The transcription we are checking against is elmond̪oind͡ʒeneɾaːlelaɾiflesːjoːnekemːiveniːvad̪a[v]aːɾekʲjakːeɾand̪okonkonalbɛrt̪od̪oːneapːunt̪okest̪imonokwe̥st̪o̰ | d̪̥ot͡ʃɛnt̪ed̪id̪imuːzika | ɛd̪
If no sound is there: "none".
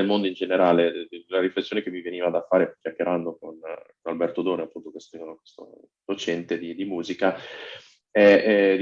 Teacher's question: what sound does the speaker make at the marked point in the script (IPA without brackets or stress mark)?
f